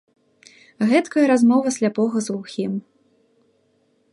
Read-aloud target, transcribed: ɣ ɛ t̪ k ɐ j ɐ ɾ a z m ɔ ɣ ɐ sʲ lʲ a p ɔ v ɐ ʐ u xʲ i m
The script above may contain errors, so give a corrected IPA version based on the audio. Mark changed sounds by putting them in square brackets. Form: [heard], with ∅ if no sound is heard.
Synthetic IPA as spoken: ɣ ɛ t̪ k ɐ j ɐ ɾ a z m ɔ [v] ɐ sʲ lʲ a p ɔ [ɣ] ɐ [z] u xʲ i m